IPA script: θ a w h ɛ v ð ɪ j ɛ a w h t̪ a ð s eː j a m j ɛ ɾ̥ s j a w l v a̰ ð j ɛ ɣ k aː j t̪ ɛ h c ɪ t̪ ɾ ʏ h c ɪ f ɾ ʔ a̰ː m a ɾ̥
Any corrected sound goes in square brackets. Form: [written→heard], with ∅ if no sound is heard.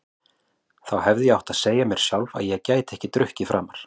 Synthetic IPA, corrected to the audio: θ a w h ɛ v ð ɪ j ɛ a w h t̪ a ð s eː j a m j ɛ ɾ̥ s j a w l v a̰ ð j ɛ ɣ [k→c] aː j t̪ ɛ h c ɪ t̪ ɾ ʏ h c ɪ f ɾ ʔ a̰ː m a ɾ̥